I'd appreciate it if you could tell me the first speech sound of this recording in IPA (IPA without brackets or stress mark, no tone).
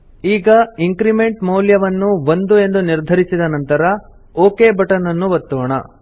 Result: iː